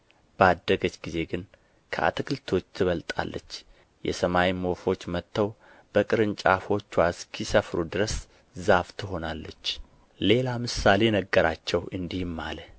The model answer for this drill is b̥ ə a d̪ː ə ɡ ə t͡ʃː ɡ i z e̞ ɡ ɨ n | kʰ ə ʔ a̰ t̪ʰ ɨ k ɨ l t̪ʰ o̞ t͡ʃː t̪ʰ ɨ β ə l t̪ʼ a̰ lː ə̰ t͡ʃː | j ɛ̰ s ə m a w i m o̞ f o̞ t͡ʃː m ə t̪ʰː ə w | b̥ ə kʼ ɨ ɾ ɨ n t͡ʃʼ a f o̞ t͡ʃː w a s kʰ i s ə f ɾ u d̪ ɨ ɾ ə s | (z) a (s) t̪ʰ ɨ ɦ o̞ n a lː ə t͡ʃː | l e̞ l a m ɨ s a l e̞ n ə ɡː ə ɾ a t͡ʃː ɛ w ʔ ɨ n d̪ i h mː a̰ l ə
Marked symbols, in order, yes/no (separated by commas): yes, no